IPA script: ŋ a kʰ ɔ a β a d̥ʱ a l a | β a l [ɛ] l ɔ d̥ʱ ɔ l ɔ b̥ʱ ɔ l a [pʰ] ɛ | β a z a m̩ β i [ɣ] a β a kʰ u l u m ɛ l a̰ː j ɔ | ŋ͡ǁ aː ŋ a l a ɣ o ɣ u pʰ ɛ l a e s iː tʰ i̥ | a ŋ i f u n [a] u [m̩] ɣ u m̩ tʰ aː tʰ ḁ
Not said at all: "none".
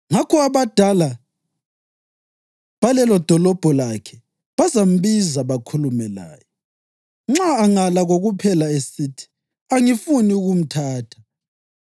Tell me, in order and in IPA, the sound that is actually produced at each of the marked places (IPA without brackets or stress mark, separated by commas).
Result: ɛ, kʰ, z, i, none